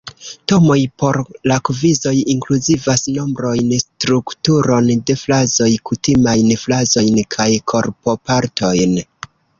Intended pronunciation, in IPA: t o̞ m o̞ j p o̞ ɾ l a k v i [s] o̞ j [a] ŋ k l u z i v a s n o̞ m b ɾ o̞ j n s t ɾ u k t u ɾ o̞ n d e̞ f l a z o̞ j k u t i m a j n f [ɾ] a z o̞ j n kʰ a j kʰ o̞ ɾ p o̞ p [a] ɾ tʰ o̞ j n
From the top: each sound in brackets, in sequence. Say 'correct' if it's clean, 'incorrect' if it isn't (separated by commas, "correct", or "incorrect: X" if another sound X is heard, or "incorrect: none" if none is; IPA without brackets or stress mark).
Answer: incorrect: z, incorrect: i, incorrect: l, correct